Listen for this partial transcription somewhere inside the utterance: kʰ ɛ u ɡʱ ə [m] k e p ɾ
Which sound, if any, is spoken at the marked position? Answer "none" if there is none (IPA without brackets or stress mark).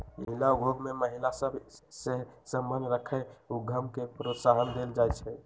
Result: m